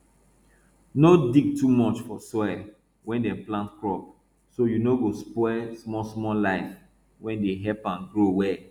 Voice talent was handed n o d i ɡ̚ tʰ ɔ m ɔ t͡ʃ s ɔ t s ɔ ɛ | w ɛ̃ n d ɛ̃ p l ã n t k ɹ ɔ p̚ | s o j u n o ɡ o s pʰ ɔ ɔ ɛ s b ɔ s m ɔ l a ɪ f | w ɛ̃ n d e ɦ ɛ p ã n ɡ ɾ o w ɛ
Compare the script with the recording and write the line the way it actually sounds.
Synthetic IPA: n o d i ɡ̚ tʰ u m ɔ t͡ʃ f ɔ s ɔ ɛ | w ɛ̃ n d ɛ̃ p l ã n t k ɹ ɔ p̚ | s o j u n o ɡ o s p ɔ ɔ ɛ s m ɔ s m ɔ l a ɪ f | w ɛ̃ n d e ɦ ɛ p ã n ɡ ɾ o w ɛ